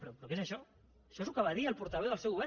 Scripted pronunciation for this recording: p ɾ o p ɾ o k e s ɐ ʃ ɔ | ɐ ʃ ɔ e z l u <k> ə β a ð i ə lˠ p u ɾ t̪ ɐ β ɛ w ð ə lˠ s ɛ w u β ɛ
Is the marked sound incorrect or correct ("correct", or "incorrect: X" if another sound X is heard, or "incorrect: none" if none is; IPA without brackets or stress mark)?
correct